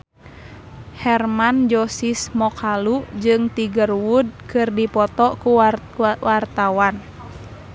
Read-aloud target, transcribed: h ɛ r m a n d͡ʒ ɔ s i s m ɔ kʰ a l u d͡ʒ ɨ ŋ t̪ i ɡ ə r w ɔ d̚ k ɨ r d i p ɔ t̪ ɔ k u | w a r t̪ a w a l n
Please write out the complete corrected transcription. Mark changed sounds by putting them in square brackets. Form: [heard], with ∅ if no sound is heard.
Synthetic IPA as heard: h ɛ r m a n d͡ʒ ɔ s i s m ɔ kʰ a l u d͡ʒ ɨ ŋ t̪ i ɡ ə r w [u] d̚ k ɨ r d i p ɔ t̪ ɔ k u | w a r t̪ a w a [∅] n